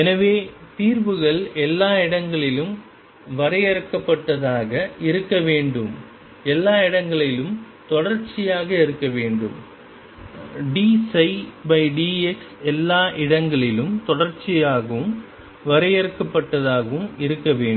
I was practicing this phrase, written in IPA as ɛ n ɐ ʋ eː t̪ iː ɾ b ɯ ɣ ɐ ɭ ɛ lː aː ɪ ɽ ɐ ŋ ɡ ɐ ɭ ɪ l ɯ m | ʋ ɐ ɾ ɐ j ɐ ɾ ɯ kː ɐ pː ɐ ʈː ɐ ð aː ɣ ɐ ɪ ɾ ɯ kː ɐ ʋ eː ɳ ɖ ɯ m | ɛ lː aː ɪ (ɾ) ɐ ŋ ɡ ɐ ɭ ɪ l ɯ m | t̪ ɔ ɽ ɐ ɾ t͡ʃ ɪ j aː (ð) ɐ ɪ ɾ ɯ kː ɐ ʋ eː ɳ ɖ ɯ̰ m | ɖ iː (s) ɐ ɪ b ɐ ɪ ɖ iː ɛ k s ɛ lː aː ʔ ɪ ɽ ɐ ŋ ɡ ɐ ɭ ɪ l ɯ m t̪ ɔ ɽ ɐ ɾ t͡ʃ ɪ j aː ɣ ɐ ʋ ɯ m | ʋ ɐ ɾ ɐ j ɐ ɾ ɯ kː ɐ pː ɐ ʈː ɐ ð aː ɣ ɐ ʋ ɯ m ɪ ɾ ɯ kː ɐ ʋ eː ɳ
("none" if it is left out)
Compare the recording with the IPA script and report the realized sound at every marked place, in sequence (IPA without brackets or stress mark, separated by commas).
ɽ, ɣ, s